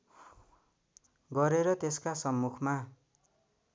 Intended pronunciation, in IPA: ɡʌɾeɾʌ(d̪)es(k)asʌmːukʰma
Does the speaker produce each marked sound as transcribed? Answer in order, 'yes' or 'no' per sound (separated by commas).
no, yes